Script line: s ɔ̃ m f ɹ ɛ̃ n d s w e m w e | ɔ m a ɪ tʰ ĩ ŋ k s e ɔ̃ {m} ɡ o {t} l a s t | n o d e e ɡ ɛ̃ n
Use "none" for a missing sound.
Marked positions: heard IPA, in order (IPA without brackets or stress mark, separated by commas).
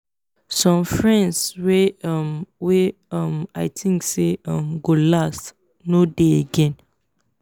m, none